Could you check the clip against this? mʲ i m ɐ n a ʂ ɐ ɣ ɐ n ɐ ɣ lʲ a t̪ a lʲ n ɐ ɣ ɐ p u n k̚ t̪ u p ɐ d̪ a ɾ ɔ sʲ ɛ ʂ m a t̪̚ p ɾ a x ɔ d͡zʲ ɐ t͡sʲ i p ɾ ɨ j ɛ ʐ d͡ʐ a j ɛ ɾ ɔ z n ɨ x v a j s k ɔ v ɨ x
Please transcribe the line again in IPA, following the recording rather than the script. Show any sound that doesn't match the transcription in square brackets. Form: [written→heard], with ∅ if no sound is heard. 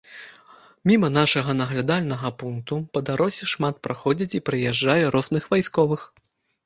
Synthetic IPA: mʲ i m ɐ n a ʂ ɐ ɣ ɐ n ɐ ɣ lʲ a [t̪→d̪] a lʲ n ɐ ɣ ɐ p u n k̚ t̪ u p ɐ d̪ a ɾ ɔ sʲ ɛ ʂ m a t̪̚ p ɾ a x ɔ d͡zʲ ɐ t͡sʲ i p ɾ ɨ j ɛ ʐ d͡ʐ a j ɛ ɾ ɔ z n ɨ x v a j s k ɔ v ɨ x

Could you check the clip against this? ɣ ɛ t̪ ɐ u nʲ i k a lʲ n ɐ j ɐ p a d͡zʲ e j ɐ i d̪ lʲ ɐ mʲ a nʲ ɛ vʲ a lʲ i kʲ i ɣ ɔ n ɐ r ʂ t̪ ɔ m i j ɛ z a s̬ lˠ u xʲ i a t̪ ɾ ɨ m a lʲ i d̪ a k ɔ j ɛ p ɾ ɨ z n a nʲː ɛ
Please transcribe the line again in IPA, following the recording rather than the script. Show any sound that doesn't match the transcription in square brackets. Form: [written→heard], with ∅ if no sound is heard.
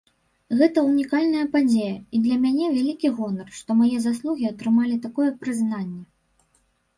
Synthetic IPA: ɣ ɛ t̪ ɐ u nʲ i k a lʲ n ɐ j ɐ p a d͡zʲ e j ɐ i d̪ lʲ ɐ mʲ a nʲ ɛ vʲ a lʲ i kʲ i ɣ ɔ n ɐ r ʂ t̪ ɔ m [i→a] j ɛ z a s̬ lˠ u [xʲ→ɣʲ] i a t̪ ɾ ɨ m a lʲ i [d̪→t̪] a k ɔ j ɛ p ɾ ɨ z n a nʲː ɛ

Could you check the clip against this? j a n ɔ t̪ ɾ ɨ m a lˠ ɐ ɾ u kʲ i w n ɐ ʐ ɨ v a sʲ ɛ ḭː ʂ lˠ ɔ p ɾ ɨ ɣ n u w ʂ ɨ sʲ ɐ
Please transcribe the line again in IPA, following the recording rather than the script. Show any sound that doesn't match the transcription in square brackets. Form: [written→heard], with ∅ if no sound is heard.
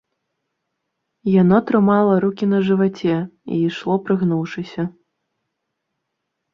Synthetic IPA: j a n ɔ t̪ ɾ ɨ m a lˠ ɐ ɾ u kʲ i [w→∅] n ɐ ʐ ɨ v a [sʲ→t͡sʲ] ɛ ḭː ʂ lˠ ɔ p ɾ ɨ ɣ n u w ʂ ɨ sʲ ɐ

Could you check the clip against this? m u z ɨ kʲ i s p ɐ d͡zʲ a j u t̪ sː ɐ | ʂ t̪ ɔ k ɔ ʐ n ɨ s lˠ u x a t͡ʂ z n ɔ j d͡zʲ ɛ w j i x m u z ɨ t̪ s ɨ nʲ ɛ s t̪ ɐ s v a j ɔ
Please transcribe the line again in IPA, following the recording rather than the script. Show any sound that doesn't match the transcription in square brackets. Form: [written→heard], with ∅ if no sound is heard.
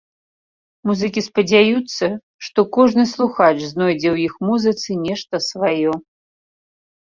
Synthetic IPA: m u z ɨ kʲ i s p ɐ d͡zʲ a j u t̪ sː ɐ | ʂ t̪ ɔ k ɔ ʐ n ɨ s lˠ u x a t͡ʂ z n ɔ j d͡zʲ ɛ w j i x m u z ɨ t̪ s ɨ nʲ ɛ [s→ʂ] t̪ ɐ s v a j ɔ

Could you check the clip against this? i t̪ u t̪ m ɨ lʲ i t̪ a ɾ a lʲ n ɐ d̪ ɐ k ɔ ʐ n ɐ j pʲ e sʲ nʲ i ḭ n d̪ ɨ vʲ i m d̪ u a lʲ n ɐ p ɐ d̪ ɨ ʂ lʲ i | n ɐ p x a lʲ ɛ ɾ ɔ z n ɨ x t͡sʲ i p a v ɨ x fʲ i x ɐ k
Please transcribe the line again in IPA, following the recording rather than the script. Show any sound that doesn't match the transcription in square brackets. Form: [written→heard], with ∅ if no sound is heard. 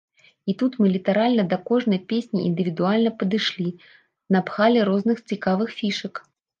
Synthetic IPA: i t̪ u t̪ m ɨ lʲ i t̪ a ɾ a lʲ n ɐ d̪ ɐ k ɔ ʐ n ɐ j pʲ e sʲ nʲ i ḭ n d̪ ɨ vʲ i [m→∅] d̪ u a lʲ n ɐ p ɐ d̪ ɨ ʂ lʲ i | n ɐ p x a lʲ ɛ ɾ ɔ z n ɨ x t͡sʲ i [p→k] a v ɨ x fʲ i [x→ʂ] ɐ k

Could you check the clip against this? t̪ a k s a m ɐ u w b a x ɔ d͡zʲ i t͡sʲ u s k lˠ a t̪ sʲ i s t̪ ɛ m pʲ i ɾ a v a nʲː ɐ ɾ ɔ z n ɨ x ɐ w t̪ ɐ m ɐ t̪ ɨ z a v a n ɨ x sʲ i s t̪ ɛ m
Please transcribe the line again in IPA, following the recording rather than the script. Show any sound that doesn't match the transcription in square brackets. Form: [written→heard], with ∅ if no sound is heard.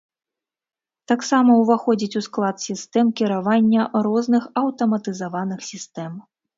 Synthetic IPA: t̪ a k s a m ɐ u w [b→v] a x ɔ d͡zʲ i t͡sʲ u s k lˠ a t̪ sʲ i s t̪ ɛ m [pʲ→kʲ] i ɾ a v a nʲː ɐ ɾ ɔ z n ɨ x ɐ w t̪ ɐ m ɐ t̪ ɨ z a v a n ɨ x sʲ i s t̪ ɛ m

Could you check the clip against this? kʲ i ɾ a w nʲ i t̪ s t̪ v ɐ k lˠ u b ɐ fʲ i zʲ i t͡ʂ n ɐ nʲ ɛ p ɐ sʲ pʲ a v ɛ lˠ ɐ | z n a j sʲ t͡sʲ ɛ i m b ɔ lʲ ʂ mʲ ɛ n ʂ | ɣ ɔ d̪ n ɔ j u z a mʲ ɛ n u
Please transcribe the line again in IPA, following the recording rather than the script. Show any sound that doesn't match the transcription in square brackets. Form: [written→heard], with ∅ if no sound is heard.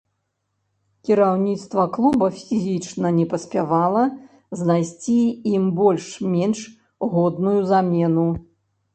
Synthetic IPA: kʲ i ɾ a w nʲ i t̪ s t̪ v ɐ k lˠ u b ɐ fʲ i zʲ i t͡ʂ n ɐ nʲ ɛ p ɐ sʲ pʲ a v [ɛ→a] lˠ ɐ | z n a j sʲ t͡sʲ [ɛ→i] i m b ɔ lʲ ʂ mʲ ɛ n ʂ | ɣ ɔ d̪ n [ɔ→u] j u z a mʲ ɛ n u

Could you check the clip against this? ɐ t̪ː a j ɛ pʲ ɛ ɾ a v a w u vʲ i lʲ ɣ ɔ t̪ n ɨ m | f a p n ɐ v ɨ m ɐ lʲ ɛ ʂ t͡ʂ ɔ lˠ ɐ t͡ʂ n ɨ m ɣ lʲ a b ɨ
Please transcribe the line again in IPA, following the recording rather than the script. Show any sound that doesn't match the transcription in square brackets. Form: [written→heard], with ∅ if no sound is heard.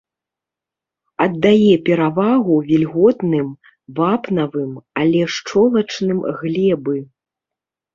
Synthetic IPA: ɐ [t̪ː→d̪ː] a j ɛ pʲ ɛ ɾ a v a [w→ɣ] u vʲ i lʲ ɣ ɔ t̪ n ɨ m | [f→v] a p n ɐ v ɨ m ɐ lʲ ɛ ʂ t͡ʂ ɔ lˠ ɐ t͡ʂ n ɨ m ɣ lʲ [a→ɛ] b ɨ

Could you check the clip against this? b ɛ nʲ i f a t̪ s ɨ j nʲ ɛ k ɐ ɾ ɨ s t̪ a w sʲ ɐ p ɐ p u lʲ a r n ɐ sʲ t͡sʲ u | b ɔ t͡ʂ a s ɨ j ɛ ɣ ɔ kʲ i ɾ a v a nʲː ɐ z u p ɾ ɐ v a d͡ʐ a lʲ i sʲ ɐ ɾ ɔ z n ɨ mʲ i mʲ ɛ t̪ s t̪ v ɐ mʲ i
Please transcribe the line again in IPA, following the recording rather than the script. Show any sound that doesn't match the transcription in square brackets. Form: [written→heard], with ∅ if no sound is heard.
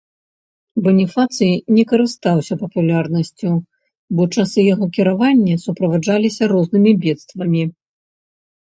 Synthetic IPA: b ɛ nʲ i f a t̪ s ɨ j nʲ ɛ k ɐ ɾ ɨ s t̪ a w sʲ ɐ p ɐ p u lʲ a r n ɐ sʲ t͡sʲ u | b ɔ t͡ʂ a s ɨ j [ɛ→a] ɣ ɔ kʲ i ɾ a v a nʲː ɐ [z→s] u p ɾ ɐ v a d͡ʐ a lʲ i sʲ ɐ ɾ ɔ z n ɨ mʲ i [mʲ→bʲ] ɛ t̪ s t̪ v ɐ mʲ i

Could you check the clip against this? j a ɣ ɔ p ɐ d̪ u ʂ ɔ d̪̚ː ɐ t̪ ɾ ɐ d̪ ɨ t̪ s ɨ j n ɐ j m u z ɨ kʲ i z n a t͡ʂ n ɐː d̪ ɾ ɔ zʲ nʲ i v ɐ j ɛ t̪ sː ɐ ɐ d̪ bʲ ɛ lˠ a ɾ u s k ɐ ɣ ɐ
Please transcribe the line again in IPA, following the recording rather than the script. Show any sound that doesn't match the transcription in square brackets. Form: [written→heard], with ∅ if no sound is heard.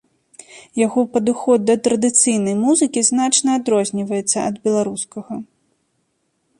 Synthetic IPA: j a ɣ ɔ p ɐ d̪ u [ʂ→x] ɔ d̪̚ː ɐ t̪ ɾ ɐ d̪ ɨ t̪ s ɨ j n ɐ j m u z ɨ kʲ i z n a t͡ʂ n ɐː d̪ ɾ ɔ zʲ nʲ i v ɐ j ɛ t̪ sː ɐ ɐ d̪ bʲ ɛ lˠ a ɾ u s k ɐ ɣ ɐ

